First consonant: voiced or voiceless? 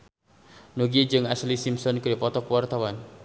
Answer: voiced